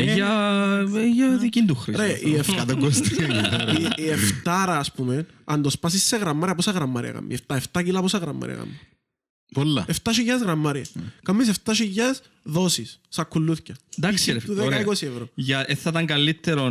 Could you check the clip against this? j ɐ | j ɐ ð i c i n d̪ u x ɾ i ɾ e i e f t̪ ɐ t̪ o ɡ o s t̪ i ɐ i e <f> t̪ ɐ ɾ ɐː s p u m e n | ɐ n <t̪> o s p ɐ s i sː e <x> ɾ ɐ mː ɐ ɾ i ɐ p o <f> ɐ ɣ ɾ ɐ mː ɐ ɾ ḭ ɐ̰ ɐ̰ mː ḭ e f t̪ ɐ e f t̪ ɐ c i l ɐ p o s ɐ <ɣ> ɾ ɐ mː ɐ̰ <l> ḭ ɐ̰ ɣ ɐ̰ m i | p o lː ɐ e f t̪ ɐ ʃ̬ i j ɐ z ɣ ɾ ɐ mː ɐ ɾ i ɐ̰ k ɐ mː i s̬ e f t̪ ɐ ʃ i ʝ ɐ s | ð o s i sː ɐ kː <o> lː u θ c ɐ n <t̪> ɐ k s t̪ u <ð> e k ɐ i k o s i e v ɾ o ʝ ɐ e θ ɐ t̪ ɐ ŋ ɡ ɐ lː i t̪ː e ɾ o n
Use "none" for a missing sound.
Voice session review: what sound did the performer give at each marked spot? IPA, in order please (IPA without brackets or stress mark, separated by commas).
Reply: f, d̪, ɣ, s, ɣ, ɾ, u, d̪, ð